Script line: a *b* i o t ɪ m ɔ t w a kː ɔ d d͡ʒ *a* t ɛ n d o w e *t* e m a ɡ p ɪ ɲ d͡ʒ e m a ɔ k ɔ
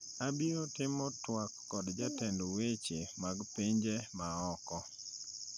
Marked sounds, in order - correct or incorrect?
correct, correct, incorrect: t͡ʃ

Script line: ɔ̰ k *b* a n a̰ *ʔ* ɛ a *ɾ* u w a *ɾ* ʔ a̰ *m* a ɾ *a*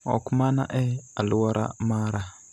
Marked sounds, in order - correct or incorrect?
incorrect: m, correct, incorrect: l, correct, correct, correct

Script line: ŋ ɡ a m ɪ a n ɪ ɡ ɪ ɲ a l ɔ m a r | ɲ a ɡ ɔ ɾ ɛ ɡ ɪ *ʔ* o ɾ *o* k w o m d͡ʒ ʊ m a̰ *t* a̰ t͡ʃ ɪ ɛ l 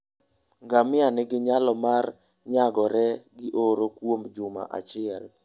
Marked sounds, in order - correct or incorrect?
correct, correct, incorrect: ʔ

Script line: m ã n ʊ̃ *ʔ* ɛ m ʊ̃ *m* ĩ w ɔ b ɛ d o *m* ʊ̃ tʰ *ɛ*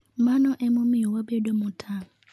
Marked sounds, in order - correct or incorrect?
correct, correct, correct, incorrect: a

